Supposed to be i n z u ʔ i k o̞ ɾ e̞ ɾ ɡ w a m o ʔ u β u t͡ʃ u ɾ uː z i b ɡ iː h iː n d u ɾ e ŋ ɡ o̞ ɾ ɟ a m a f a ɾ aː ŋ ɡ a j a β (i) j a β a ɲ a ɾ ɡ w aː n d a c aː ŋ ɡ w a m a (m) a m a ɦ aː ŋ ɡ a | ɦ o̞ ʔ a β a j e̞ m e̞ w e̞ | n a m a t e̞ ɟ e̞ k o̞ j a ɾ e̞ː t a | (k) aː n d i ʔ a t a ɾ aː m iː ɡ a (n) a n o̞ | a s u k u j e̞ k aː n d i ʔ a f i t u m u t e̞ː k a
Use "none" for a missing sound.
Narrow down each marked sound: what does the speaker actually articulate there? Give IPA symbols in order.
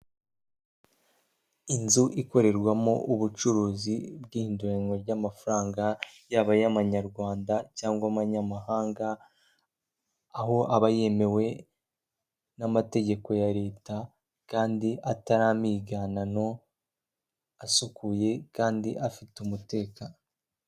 a, ɲ, k, n

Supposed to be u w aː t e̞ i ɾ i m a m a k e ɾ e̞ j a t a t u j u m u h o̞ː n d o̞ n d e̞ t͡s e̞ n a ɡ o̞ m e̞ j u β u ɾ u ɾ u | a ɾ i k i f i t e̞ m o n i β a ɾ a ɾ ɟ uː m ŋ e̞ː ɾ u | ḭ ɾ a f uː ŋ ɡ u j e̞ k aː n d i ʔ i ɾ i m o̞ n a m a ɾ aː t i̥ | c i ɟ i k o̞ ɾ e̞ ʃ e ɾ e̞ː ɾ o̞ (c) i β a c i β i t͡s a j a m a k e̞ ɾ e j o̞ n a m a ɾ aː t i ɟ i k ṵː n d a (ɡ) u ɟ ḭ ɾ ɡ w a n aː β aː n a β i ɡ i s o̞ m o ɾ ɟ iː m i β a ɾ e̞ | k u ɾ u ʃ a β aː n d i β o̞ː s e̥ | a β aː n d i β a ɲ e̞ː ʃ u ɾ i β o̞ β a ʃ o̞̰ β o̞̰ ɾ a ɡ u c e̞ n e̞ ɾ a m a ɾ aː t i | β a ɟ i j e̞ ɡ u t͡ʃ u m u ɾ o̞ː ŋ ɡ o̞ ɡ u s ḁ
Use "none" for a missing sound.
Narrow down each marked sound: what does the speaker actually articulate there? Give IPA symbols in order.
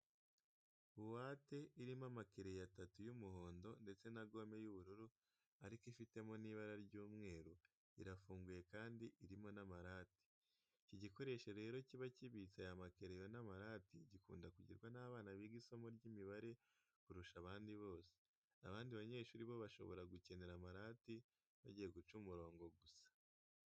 c, k

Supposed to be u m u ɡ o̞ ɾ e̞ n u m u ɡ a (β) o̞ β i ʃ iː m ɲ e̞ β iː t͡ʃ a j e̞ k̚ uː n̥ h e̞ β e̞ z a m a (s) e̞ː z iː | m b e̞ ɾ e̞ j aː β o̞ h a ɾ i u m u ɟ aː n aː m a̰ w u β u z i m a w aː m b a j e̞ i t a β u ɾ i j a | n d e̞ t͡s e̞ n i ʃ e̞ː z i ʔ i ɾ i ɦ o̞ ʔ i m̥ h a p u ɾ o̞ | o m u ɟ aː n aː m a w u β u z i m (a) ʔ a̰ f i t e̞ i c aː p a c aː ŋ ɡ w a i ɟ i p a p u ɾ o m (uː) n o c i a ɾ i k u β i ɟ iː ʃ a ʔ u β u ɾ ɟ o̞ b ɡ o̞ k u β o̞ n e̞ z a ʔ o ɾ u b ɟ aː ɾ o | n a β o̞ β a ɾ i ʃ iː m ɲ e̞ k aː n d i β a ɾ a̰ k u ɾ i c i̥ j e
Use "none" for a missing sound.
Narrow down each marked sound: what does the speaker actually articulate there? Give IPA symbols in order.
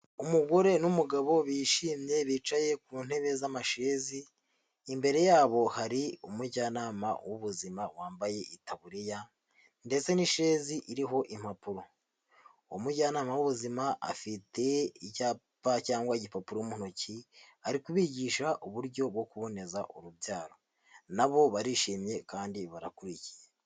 β, ʃ, a, u

